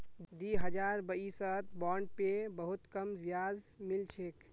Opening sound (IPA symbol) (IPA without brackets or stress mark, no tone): d̪